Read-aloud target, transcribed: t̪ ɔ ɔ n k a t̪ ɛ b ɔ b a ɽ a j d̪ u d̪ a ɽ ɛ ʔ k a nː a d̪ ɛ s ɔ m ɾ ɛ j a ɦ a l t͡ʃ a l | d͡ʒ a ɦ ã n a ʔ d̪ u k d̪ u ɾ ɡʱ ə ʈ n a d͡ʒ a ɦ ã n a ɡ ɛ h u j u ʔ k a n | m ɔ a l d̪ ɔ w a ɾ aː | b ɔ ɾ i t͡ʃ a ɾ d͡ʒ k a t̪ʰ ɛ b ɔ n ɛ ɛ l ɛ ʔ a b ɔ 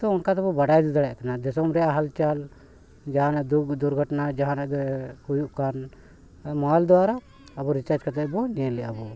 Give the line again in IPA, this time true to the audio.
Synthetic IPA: t̪ ɔ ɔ n k a t̪ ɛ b ɔ b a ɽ a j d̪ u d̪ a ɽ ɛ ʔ k a n a d̪ ɛ s ɔ m ɾ ɛ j a ɦ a l t͡ʃ a l | d͡ʒ a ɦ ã n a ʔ d̪ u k d̪ u ɾ ɡʱ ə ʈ n a d͡ʒ a ɦ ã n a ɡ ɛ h u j u ʔ k a n | m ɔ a l d̪ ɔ w a ɾ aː | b ɔ ɾ i t͡ʃ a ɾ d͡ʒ k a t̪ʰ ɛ b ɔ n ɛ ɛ l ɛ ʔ a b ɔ